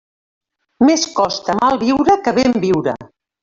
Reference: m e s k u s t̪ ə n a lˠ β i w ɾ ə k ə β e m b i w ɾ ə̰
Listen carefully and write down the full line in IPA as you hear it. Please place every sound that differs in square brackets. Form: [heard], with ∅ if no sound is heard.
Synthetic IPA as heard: m e s k [ɔ] s t̪ ə [m] a lˠ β i w ɾ ə k ə β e m b i w ɾ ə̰